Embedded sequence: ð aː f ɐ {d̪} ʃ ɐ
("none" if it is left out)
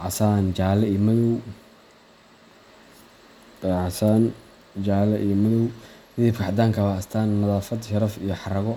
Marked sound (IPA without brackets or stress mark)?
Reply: d̪